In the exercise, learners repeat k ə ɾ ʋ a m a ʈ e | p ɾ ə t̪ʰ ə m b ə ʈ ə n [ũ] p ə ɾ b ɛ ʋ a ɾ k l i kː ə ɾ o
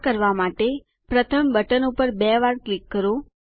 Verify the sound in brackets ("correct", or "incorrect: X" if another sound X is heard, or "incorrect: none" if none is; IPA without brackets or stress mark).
incorrect: u